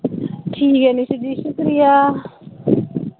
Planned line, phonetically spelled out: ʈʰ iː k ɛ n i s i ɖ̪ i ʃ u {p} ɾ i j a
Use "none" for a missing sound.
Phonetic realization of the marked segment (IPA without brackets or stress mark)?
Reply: k